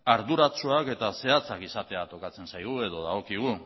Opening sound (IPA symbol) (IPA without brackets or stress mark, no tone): a